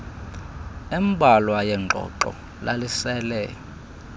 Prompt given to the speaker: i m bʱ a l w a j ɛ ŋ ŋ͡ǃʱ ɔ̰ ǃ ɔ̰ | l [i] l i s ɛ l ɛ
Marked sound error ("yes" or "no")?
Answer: yes